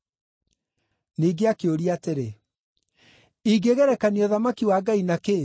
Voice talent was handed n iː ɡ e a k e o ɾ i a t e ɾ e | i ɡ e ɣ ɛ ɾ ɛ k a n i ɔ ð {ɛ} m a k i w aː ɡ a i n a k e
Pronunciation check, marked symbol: incorrect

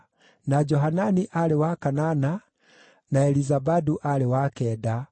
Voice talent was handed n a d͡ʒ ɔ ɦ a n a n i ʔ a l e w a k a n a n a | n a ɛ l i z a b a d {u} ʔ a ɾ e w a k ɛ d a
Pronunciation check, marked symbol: correct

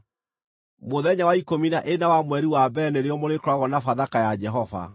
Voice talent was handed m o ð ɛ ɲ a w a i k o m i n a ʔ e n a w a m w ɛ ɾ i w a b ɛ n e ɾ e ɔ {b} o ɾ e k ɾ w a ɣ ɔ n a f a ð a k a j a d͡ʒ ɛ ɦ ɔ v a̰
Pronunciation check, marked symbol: incorrect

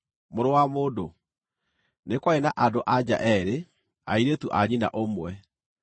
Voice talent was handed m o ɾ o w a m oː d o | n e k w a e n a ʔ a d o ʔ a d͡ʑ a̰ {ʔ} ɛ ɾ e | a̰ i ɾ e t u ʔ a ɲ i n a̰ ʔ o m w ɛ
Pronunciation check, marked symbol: correct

